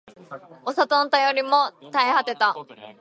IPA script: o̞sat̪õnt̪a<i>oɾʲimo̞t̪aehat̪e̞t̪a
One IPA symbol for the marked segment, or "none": j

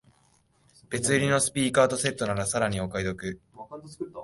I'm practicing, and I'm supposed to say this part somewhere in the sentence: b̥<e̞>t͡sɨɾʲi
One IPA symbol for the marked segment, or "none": e̞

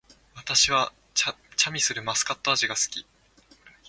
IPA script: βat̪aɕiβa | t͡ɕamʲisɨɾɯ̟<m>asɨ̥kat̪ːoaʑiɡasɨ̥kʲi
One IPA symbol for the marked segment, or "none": m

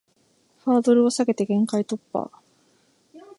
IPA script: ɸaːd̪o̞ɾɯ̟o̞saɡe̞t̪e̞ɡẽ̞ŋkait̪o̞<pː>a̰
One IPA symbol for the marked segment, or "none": pː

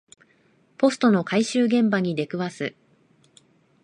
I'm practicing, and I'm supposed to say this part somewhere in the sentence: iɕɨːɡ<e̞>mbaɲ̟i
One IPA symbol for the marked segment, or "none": ẽ̞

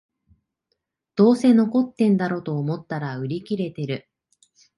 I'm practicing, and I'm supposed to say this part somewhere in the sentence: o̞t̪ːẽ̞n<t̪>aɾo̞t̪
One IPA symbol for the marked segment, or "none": d̪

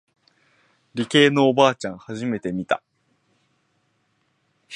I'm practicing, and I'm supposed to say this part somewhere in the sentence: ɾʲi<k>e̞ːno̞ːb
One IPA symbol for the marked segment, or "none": k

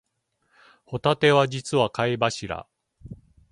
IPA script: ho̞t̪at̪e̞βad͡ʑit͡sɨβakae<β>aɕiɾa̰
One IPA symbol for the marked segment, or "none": b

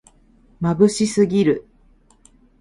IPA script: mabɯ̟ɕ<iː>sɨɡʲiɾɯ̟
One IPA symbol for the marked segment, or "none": i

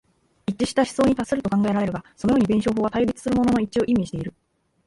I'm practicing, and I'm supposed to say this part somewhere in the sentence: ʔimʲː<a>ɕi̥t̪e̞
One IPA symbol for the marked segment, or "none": i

